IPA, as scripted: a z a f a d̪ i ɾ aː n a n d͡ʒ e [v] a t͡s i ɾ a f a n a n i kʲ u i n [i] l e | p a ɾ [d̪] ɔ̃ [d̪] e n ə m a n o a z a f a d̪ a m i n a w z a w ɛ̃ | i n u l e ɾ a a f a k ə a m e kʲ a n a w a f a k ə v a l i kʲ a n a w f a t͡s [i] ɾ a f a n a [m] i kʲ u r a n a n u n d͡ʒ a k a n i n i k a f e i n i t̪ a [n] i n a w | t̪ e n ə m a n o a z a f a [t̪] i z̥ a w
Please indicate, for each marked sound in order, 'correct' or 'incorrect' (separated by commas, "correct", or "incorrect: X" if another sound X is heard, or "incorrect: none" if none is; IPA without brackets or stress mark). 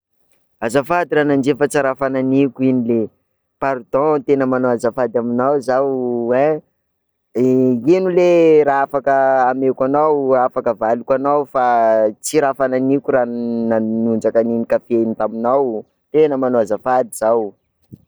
incorrect: f, correct, correct, incorrect: t̪, correct, incorrect: n, incorrect: m, incorrect: d̪